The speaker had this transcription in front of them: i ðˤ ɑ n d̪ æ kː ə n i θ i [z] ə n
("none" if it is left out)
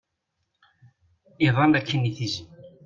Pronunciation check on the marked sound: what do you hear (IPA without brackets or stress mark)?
z